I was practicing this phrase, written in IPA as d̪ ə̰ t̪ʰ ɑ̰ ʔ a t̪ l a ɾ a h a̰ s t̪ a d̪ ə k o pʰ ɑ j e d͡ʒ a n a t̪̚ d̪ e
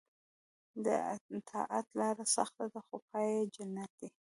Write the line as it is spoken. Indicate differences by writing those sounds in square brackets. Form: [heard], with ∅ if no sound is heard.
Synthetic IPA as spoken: d̪ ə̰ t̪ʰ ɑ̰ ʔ a t̪ l [ɑ] ɾ a [s] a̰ [x] t̪ a d̪ ə [x] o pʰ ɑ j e d͡ʒ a n a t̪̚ d̪ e